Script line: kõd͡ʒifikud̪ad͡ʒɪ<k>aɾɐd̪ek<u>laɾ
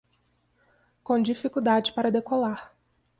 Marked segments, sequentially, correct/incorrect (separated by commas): incorrect, incorrect